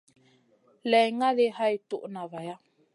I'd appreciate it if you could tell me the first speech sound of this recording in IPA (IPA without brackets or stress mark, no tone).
l